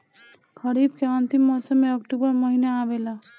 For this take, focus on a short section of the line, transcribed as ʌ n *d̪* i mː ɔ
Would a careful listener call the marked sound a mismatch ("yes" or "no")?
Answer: yes